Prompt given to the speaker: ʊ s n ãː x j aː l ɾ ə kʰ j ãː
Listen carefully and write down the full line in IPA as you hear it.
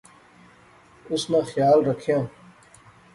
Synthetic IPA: ʊ s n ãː x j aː l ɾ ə kʰ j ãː